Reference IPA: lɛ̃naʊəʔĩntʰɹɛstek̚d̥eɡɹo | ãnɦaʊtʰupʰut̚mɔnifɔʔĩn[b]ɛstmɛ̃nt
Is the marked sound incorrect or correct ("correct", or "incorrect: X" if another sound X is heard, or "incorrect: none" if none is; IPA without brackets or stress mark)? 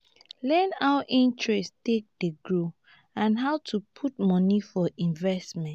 incorrect: v